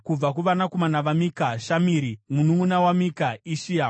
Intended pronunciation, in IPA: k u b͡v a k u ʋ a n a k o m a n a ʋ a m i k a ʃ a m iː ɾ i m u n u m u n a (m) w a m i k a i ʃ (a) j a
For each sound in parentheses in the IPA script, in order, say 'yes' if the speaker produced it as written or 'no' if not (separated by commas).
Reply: no, no